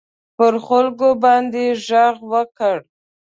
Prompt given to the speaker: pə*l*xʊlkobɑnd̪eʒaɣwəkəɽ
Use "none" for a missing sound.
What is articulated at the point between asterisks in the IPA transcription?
ɾ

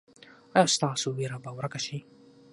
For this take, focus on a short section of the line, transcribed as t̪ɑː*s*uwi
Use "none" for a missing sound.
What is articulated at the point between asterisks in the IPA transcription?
s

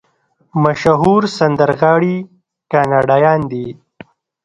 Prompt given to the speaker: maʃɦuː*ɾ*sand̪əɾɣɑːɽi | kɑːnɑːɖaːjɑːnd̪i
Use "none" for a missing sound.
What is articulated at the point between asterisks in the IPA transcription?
ɾ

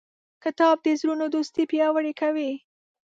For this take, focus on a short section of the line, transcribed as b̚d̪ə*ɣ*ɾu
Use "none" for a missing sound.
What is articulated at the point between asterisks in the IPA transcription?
z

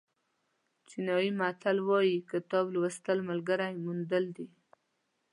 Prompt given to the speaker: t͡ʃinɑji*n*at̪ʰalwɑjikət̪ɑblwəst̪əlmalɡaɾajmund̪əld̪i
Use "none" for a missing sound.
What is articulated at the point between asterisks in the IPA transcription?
m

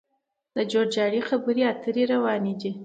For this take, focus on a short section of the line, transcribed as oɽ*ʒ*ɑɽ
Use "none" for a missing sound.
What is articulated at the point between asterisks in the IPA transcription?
d͡ʒ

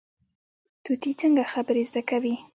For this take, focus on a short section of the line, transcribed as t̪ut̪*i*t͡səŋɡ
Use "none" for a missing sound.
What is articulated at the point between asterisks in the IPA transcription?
i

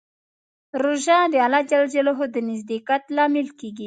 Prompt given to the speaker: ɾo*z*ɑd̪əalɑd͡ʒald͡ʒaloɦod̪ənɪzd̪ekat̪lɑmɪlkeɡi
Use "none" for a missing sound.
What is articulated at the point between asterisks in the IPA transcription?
ʒ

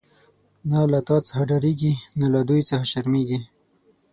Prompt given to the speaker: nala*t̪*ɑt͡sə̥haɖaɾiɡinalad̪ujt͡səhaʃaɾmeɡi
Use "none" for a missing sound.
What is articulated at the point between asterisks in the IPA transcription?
t̪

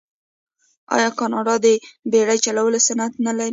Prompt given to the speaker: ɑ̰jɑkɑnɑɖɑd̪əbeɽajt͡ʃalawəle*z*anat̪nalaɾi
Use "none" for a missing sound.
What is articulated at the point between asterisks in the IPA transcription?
s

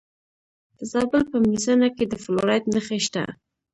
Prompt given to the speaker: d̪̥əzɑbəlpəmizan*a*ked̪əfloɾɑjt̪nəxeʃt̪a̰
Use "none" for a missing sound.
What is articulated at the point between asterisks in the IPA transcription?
a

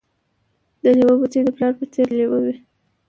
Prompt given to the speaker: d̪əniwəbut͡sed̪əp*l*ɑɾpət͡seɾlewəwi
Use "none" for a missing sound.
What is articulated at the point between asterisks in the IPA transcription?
l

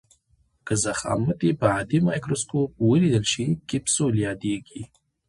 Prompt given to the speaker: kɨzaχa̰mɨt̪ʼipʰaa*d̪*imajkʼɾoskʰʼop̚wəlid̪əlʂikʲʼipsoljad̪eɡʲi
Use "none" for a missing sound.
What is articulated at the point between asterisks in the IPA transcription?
d̪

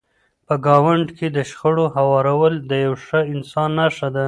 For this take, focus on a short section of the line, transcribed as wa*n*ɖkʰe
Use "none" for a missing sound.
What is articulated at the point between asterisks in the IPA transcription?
ɳ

